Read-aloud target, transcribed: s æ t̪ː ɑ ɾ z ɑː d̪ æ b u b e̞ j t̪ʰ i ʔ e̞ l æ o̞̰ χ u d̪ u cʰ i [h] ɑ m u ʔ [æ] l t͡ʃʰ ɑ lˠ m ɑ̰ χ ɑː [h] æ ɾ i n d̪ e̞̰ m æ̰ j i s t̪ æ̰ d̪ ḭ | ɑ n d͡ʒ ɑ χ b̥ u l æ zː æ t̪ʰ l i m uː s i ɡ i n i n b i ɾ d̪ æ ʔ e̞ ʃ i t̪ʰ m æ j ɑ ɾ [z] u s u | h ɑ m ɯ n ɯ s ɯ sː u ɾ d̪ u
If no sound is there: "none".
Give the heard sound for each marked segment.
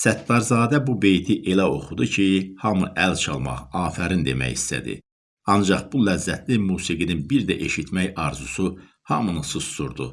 h, æ, f, z

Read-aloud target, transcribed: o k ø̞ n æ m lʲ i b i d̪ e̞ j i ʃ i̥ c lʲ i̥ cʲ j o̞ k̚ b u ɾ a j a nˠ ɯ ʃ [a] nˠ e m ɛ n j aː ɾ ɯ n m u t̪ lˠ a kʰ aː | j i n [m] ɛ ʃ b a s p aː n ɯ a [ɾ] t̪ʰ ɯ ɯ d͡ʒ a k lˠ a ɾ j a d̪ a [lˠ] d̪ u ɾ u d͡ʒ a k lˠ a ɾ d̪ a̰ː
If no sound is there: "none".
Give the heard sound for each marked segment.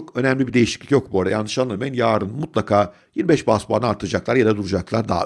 a, b, ɾ, none

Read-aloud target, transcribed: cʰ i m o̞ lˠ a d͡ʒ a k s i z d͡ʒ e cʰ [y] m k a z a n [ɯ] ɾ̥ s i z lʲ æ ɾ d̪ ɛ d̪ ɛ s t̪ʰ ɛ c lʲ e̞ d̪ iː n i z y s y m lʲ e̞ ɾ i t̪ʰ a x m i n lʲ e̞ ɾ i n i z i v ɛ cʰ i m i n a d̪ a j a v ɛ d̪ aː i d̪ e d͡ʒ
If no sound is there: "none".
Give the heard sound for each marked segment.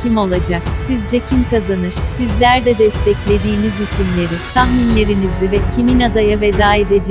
i, ɯ

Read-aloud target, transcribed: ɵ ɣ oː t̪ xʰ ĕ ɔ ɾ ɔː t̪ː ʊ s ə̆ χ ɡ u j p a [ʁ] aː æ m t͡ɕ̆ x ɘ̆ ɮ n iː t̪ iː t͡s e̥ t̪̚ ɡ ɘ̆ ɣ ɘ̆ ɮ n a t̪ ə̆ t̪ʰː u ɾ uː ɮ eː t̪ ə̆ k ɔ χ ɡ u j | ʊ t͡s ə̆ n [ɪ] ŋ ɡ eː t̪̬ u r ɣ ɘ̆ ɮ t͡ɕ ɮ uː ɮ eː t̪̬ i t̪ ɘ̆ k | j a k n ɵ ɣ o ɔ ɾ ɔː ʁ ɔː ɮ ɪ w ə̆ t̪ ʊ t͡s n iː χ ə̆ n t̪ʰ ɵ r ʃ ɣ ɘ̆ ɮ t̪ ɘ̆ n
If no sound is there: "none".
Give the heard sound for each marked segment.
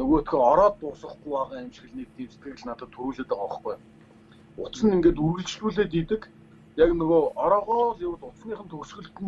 ʁ, i

